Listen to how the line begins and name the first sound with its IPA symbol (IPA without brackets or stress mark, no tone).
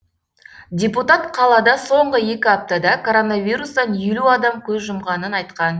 dʲ